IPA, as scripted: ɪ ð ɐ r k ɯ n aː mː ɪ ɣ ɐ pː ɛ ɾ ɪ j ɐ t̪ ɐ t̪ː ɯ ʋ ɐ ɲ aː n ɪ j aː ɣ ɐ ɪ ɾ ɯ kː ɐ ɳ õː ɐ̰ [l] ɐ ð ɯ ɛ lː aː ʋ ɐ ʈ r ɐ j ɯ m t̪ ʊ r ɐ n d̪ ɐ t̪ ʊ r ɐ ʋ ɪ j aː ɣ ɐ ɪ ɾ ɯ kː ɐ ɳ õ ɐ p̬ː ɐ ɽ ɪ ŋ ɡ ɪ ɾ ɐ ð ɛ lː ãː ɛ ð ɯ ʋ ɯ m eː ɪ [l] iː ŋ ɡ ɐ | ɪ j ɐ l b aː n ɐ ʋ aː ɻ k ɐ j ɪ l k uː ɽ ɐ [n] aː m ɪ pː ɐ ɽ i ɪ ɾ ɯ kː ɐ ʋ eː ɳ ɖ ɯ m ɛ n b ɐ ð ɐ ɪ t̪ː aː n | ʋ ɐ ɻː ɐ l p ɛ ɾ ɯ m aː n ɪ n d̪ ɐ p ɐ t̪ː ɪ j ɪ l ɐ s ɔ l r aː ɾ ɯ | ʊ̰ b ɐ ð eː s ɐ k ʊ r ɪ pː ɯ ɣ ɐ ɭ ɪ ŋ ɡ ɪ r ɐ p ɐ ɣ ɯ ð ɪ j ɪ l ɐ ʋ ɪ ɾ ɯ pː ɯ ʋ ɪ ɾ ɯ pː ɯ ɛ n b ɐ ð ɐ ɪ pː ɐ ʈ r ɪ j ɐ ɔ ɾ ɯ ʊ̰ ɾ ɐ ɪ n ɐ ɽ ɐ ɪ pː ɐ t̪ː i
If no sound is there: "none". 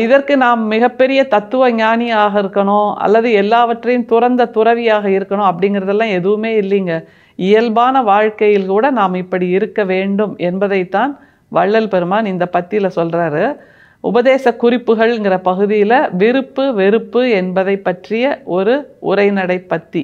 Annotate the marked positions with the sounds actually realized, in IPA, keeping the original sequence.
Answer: lː, lː, n

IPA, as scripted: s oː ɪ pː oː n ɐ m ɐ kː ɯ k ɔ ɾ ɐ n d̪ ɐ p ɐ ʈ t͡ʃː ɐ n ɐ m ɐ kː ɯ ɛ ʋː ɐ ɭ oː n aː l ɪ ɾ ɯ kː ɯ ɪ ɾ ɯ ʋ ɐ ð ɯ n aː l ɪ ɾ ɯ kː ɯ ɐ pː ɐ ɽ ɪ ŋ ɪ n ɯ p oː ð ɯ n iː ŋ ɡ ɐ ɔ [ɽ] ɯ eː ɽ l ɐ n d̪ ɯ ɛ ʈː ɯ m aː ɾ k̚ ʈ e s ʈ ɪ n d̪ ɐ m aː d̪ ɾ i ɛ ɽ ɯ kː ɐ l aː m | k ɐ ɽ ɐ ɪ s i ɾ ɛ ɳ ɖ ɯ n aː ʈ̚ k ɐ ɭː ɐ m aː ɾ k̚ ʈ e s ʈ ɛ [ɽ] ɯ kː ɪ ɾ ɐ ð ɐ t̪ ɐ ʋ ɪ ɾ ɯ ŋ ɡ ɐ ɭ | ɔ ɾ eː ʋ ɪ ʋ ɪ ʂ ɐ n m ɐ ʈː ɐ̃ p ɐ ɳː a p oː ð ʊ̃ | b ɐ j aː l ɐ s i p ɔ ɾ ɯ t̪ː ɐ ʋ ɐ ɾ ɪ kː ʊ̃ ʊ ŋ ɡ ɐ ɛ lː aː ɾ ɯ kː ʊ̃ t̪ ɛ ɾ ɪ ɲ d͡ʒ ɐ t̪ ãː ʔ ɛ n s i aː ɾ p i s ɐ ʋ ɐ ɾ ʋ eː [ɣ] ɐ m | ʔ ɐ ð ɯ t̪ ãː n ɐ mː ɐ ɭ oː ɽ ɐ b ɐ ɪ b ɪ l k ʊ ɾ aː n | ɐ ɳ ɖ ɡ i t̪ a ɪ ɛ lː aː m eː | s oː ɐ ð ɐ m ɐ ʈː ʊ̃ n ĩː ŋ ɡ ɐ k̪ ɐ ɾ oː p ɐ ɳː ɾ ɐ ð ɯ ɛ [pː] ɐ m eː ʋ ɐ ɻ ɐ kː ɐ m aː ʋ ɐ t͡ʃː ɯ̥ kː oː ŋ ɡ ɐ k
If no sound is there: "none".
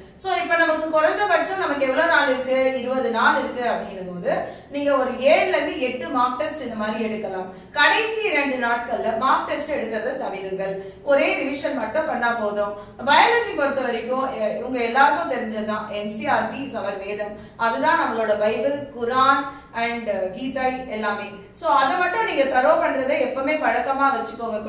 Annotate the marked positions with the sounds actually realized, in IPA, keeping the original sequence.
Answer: ɾ, ɽ, ð, pː

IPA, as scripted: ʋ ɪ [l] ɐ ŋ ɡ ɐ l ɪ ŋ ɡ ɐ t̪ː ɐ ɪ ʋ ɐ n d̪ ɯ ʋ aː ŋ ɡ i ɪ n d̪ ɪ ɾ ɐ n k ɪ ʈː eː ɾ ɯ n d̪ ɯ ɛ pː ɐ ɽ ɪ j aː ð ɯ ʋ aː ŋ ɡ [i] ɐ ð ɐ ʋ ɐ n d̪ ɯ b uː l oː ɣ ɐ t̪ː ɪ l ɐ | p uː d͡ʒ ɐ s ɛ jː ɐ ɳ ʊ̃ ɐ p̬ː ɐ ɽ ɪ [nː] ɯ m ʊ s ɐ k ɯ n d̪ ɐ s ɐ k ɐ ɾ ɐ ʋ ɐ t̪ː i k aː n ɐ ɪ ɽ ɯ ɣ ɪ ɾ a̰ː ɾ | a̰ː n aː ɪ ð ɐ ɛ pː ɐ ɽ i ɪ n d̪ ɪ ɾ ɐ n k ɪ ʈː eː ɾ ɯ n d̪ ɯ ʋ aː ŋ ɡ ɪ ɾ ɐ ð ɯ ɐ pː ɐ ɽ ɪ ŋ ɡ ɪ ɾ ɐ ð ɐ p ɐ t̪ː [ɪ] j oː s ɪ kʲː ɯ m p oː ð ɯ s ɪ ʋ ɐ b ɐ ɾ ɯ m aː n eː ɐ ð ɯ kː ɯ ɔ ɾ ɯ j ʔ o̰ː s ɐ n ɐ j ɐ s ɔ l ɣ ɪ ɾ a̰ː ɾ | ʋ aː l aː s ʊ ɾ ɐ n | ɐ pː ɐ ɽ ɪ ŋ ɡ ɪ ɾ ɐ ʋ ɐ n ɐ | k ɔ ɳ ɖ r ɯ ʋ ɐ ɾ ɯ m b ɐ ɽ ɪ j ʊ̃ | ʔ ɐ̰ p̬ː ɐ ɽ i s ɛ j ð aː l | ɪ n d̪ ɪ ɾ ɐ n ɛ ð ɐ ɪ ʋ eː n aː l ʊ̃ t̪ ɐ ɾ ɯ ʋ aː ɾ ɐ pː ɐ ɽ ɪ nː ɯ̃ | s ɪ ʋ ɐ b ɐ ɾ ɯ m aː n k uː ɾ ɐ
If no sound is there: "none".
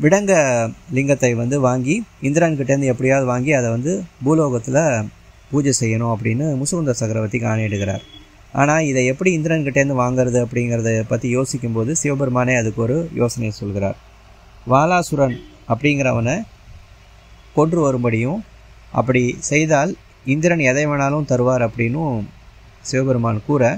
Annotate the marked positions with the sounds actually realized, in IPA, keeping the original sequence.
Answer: ɽ, i, nː, i

